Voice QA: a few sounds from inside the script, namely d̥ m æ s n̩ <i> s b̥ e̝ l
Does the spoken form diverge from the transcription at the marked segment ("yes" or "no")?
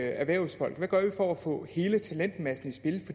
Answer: no